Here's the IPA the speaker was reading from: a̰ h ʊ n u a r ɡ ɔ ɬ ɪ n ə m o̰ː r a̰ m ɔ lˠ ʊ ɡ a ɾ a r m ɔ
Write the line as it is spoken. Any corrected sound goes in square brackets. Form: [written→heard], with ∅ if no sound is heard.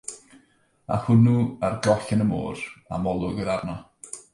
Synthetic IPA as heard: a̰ h ʊ n u a r ɡ ɔ ɬ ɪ n ə m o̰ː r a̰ m ɔ lˠ ʊ ɡ [a→ə] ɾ a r [m→n] ɔ